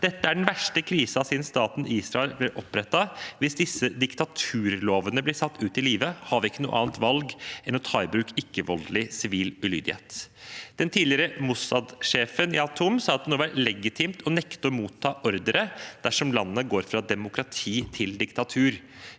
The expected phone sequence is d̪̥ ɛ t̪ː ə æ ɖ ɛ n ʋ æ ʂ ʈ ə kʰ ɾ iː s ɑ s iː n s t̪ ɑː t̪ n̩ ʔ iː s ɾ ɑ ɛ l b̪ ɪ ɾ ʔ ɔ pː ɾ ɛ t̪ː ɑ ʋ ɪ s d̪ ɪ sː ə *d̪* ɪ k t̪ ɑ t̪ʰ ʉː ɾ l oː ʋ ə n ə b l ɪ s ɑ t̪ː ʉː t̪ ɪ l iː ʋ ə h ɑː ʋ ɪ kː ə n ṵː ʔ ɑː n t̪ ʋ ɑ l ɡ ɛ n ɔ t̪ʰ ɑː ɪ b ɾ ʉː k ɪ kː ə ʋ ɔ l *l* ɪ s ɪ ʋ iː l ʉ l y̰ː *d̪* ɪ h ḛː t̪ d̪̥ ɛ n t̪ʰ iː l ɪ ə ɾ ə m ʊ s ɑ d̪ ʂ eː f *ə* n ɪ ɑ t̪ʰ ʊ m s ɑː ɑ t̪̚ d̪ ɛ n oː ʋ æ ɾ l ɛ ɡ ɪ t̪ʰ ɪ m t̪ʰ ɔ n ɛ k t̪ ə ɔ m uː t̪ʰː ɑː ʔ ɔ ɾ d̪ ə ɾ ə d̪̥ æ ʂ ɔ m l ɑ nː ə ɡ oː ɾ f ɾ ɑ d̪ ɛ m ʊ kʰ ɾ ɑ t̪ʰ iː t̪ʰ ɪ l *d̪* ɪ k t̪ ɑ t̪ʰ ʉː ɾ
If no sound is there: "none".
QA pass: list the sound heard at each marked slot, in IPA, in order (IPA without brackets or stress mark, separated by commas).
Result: d̪, l, d̪, ə, d̪